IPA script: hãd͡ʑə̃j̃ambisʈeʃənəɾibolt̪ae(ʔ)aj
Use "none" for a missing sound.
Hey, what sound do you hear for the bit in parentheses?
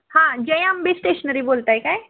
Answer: k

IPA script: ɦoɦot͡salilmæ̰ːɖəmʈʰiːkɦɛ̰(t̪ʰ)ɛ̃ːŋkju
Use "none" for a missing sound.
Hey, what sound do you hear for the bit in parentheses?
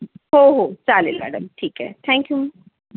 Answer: t̪ʰ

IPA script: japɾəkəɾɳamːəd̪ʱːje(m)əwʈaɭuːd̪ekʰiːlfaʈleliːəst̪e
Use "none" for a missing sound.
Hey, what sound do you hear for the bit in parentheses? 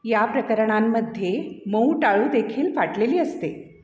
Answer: m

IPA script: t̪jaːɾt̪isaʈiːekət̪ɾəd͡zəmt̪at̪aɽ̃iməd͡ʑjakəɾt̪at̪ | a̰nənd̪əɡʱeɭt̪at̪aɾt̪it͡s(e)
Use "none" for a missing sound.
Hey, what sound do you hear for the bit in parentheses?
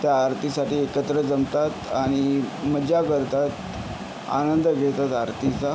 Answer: a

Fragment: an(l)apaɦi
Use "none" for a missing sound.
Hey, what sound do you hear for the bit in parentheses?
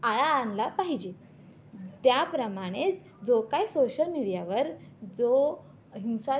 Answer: l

